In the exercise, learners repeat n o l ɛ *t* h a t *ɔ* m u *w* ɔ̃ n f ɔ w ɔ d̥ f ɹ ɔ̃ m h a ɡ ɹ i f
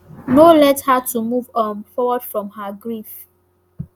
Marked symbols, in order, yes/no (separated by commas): yes, no, no